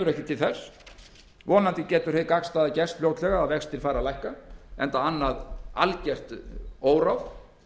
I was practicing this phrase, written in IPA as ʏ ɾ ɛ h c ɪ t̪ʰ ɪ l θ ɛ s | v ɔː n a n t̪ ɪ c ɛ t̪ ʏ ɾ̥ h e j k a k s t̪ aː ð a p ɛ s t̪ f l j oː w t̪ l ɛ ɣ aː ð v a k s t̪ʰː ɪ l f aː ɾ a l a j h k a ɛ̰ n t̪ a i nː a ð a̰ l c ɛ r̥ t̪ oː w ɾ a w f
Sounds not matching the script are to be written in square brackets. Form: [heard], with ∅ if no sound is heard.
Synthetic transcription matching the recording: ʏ ɾ ɛ h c ɪ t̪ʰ ɪ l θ ɛ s | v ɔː n a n t̪ ɪ c [ɛː] t̪ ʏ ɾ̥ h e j k a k s t̪ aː ð a [c] ɛ s t̪ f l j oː w t̪ l ɛ ɣ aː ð v [ɛ] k s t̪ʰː ɪ l f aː ɾ a l a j h k a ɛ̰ n t̪ a [a] nː a ð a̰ l c ɛ r̥ t̪ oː w ɾ a w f